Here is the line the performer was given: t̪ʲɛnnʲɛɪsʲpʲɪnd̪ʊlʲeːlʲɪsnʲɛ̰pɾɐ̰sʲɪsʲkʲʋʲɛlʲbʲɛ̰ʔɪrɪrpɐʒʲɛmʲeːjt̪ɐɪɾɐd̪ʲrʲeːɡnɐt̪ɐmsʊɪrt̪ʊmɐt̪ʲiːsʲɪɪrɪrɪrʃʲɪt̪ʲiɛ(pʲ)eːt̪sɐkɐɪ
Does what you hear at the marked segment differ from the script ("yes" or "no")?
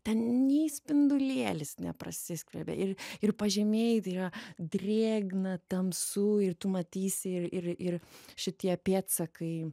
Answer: no